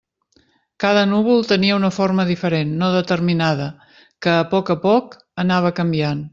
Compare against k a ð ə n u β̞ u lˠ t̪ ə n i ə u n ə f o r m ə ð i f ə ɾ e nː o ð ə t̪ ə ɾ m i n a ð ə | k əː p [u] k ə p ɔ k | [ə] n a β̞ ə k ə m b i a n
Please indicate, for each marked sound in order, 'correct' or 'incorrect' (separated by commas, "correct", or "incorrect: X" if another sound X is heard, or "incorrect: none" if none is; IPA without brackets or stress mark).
incorrect: ɔ, correct